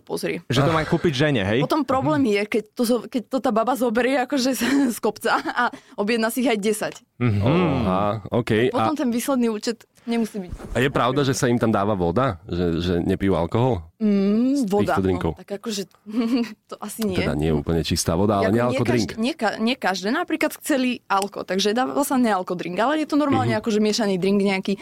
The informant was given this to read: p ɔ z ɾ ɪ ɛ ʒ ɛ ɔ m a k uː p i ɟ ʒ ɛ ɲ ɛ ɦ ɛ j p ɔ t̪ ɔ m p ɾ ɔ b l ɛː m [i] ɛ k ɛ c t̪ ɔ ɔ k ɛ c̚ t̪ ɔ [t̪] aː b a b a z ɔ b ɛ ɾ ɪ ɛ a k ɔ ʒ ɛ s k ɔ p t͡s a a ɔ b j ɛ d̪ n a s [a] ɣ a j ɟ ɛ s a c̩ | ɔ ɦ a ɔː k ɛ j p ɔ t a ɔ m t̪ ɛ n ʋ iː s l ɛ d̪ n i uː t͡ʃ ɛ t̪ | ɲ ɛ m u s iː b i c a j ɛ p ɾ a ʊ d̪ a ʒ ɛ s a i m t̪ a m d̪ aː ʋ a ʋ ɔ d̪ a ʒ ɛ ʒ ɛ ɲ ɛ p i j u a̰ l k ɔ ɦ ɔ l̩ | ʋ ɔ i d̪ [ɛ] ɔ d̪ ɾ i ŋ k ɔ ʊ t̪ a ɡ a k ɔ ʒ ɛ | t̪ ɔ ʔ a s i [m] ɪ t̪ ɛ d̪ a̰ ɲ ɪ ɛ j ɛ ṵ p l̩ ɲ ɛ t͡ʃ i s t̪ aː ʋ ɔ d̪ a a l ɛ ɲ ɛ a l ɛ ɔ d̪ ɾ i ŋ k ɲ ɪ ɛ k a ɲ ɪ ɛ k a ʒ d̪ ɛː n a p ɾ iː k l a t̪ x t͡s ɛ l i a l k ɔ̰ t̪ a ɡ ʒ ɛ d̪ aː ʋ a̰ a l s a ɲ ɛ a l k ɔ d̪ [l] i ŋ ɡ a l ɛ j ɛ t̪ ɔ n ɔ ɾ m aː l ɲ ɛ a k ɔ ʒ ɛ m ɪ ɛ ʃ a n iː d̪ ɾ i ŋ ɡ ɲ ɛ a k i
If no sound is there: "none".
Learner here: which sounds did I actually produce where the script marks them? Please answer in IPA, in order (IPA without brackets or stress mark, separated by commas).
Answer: j, t̪, i, a, ɲ, ɾ